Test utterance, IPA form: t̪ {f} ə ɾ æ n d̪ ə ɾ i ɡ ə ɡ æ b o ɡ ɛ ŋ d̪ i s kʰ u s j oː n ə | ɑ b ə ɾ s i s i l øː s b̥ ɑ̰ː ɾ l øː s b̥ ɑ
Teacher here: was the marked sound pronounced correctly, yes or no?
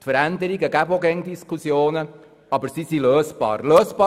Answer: yes